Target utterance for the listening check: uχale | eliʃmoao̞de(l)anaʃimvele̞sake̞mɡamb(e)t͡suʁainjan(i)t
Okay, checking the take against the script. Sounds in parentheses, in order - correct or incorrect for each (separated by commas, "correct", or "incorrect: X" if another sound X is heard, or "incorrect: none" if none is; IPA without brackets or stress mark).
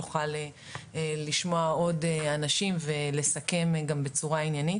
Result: incorrect: none, correct, correct